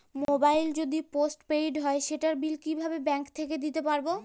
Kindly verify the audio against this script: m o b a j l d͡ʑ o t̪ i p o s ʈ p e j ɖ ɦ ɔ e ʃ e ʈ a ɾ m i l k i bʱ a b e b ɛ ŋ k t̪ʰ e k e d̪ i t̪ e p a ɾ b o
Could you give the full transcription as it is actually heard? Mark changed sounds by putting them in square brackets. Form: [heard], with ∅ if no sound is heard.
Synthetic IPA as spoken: m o b a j l d͡ʑ o [d̪] i p o s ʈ p e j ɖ ɦ ɔ e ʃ e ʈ a ɾ [b] i l k i bʱ a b e b ɛ ŋ k t̪ʰ e k e d̪ i t̪ e p a ɾ b o